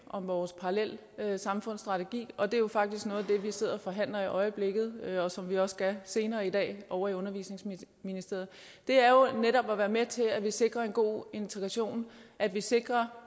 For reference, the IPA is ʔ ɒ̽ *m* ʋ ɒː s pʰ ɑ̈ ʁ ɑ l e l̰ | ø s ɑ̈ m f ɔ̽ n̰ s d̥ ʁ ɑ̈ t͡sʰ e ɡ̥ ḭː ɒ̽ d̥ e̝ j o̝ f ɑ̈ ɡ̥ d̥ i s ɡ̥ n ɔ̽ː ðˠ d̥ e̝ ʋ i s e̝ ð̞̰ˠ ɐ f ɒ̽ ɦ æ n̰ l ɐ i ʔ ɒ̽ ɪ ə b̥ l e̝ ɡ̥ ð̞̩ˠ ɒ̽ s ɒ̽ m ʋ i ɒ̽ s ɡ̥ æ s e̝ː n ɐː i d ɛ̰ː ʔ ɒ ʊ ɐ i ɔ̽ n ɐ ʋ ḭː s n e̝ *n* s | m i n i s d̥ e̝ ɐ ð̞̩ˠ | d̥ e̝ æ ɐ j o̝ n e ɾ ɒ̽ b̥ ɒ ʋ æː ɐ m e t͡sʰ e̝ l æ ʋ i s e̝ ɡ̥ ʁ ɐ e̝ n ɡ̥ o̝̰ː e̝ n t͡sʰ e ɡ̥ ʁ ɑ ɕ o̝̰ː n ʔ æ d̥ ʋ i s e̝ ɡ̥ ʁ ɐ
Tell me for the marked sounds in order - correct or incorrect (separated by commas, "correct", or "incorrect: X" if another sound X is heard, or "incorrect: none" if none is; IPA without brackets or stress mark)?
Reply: correct, incorrect: ŋ